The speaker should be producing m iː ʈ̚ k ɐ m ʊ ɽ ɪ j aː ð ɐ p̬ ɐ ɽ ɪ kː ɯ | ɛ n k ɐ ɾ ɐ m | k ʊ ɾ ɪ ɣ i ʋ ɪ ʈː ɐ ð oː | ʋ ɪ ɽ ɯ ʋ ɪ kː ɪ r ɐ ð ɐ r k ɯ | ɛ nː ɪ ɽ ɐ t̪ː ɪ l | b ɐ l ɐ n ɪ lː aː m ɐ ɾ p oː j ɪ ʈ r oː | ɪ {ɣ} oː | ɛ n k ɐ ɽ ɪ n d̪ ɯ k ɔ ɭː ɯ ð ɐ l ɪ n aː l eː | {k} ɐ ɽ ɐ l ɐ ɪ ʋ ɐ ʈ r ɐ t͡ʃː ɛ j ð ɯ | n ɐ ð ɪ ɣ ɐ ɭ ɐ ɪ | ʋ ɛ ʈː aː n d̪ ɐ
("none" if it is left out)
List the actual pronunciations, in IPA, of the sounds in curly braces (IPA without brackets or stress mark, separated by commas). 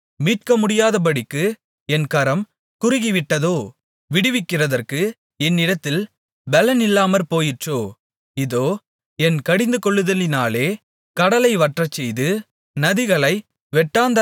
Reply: ð, k